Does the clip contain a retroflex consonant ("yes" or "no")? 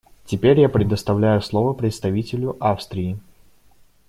no